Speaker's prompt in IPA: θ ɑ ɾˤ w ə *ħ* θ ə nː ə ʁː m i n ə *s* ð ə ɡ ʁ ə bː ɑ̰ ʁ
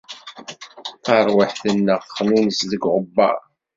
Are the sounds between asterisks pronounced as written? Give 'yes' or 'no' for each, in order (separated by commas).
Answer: yes, yes